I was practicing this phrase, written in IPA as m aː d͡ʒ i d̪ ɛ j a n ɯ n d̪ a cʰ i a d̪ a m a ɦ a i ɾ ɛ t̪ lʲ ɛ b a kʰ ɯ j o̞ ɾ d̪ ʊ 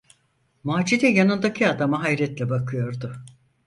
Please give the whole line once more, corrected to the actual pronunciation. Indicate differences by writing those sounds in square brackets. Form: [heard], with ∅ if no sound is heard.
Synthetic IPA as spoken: m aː d͡ʒ i d̪ ɛ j a n ɯ n d̪ a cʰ i a d̪ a m a ɦ a [j] ɾ ɛ t̪ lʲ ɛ b a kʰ ɯ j o̞ ɾ d̪ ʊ